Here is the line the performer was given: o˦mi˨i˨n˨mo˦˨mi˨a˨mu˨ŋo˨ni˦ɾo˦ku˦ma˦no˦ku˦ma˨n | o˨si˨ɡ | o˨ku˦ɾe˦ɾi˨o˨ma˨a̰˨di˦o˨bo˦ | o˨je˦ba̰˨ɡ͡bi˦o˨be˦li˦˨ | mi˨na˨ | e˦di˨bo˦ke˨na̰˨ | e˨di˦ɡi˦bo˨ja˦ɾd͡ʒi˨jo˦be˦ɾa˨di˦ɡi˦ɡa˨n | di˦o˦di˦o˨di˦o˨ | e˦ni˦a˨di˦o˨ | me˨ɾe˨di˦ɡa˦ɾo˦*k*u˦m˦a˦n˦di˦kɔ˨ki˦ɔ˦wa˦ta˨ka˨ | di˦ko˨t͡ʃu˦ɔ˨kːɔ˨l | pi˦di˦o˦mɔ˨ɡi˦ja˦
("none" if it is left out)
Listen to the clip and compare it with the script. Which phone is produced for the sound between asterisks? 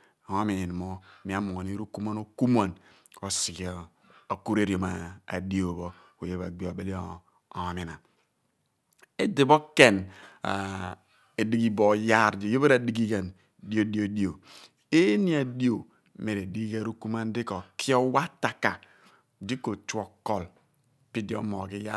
k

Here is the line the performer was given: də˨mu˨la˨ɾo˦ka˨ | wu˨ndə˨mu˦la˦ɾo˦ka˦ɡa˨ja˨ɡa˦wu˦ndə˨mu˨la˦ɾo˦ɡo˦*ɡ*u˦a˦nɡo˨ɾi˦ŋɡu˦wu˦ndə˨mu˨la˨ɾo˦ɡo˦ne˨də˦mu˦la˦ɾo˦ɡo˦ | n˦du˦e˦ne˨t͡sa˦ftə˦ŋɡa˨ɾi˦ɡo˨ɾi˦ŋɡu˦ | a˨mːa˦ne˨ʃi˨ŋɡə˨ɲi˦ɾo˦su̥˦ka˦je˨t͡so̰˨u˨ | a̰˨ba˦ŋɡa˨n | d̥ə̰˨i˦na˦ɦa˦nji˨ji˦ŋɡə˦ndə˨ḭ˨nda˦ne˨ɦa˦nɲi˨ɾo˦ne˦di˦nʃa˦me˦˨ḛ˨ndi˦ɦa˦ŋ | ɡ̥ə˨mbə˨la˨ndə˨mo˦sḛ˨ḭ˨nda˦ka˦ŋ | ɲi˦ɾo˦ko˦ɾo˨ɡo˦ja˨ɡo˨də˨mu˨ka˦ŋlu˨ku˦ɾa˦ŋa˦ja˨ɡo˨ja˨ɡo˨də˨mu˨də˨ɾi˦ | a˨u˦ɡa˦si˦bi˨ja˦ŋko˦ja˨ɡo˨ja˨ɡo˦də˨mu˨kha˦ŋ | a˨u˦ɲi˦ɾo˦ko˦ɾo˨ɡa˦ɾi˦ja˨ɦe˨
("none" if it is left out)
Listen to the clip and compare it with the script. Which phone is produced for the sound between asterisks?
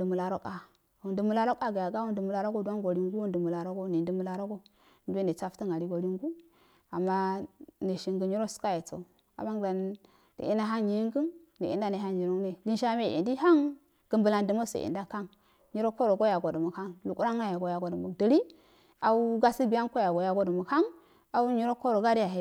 d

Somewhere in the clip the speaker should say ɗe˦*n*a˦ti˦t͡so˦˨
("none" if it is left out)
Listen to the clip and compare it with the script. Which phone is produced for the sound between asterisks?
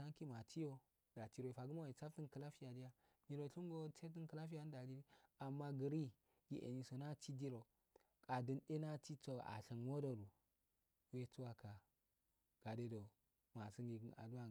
n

